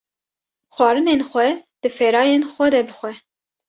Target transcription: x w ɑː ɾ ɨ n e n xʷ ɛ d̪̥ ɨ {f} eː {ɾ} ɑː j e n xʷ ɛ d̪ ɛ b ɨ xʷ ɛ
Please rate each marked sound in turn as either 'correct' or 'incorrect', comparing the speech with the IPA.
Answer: correct, correct

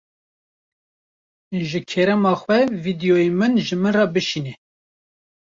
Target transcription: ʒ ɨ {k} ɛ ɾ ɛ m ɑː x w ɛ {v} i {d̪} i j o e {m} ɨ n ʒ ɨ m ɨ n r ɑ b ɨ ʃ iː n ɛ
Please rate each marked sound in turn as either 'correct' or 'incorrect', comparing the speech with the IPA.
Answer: incorrect: kʰ, correct, correct, correct

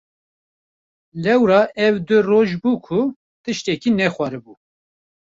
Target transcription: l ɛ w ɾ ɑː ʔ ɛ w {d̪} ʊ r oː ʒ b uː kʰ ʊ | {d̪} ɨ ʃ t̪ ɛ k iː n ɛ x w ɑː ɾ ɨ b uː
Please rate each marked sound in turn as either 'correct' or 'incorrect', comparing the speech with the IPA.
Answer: correct, incorrect: t̪

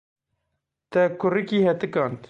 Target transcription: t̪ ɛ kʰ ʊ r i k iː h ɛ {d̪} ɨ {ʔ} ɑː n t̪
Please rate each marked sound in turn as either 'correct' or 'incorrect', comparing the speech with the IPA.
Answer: incorrect: t̪, incorrect: k

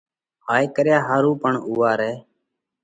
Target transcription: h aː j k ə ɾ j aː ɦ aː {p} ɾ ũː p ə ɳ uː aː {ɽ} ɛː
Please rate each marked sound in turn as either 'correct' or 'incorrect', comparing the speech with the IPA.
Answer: incorrect: none, incorrect: ɾ

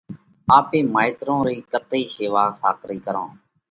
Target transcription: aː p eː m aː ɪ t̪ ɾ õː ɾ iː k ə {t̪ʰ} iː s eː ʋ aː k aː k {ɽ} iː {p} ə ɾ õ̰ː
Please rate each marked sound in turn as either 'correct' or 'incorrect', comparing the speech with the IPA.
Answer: incorrect: t̪, incorrect: ɾ, incorrect: k

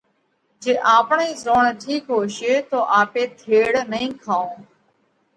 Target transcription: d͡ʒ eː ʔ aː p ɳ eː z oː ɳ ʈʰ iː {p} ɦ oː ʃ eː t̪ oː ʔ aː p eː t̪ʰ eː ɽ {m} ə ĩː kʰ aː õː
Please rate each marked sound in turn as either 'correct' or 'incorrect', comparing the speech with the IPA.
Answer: incorrect: k, incorrect: n

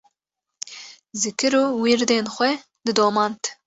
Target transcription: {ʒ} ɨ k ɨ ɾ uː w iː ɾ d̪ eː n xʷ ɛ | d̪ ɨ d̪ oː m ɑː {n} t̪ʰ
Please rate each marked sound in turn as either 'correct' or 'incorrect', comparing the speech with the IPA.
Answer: incorrect: z, correct

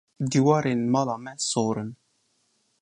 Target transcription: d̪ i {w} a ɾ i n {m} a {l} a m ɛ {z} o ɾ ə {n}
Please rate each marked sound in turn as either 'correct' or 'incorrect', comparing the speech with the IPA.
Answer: correct, correct, correct, incorrect: s, correct

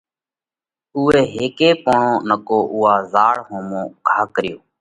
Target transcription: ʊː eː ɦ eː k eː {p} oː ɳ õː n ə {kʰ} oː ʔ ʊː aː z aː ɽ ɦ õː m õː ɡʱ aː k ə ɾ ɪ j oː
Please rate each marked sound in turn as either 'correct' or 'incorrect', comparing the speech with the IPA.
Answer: correct, incorrect: k

